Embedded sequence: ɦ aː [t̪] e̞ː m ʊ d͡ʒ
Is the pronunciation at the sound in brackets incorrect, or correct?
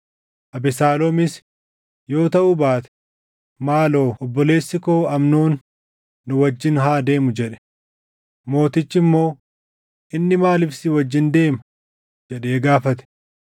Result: incorrect